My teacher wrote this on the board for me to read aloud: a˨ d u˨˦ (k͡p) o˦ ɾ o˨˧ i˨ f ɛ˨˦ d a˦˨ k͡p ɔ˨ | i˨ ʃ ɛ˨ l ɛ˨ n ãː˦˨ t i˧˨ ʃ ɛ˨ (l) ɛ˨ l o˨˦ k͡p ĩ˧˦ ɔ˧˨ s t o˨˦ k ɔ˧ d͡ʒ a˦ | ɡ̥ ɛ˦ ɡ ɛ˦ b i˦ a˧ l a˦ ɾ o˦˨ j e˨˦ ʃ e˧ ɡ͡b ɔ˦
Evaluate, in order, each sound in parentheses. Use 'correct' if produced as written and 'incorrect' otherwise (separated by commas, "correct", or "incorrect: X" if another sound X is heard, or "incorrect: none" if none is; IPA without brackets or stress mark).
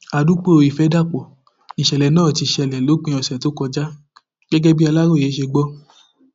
correct, correct